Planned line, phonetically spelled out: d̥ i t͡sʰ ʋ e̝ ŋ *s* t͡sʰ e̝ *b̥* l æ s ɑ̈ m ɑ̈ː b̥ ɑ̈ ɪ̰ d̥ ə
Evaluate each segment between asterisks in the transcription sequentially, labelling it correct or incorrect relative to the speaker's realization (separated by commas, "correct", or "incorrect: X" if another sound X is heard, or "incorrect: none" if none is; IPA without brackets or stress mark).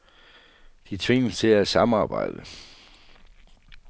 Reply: correct, incorrect: none